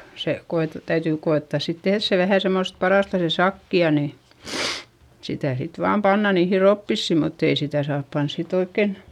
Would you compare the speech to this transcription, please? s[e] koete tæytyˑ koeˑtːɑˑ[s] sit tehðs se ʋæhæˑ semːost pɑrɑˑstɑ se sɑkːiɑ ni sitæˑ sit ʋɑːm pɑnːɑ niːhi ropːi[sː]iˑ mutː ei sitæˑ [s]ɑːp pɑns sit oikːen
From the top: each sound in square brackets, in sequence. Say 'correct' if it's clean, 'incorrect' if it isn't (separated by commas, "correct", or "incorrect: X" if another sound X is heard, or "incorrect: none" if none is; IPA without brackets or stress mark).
correct, correct, correct, correct